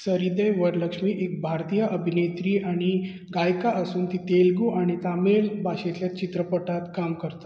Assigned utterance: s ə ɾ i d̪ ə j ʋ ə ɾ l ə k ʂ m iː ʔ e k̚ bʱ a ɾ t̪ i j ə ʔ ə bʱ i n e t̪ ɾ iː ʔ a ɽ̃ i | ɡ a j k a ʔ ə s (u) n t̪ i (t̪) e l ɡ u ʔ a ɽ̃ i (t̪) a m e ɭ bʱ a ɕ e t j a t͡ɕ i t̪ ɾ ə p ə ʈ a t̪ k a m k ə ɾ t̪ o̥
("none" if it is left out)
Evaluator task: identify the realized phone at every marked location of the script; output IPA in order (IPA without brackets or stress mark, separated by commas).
uː, t̪, t̪